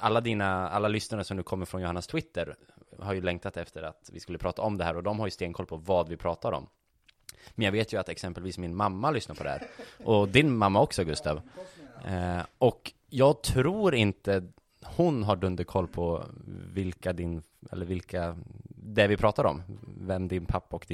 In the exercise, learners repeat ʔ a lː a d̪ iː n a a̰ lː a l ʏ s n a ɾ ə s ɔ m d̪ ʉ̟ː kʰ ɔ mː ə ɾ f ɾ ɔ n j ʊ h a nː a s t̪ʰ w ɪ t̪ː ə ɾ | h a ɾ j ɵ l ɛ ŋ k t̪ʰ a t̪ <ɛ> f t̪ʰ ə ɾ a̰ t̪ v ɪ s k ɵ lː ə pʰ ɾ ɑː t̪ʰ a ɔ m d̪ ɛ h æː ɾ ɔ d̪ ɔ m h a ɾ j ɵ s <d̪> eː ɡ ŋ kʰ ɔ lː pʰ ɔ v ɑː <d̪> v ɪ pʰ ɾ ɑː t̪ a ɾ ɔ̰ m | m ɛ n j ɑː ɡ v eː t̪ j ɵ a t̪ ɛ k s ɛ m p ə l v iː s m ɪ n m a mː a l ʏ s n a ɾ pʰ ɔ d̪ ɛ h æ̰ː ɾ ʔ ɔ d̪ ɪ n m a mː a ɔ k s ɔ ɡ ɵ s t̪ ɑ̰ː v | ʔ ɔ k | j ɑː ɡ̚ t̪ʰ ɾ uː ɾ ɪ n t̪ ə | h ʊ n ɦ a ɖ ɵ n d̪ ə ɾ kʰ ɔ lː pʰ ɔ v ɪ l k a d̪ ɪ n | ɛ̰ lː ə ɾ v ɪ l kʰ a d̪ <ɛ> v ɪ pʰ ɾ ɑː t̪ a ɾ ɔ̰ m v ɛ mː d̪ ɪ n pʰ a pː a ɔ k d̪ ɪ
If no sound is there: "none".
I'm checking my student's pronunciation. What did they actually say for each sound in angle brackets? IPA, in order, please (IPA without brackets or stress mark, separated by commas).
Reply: ɛ, t̪, d̪, ɛ